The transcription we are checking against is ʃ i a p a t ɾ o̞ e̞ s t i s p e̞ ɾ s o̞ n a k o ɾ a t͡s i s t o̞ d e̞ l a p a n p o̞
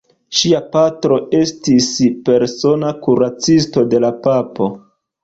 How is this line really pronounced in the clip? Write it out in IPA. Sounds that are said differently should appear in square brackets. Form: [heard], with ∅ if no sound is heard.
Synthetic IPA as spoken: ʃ i a p a t ɾ o̞ e̞ s t i s p e̞ ɾ s o̞ n a k [u] ɾ a t͡s i s t o̞ d e̞ l a p a [∅] p o̞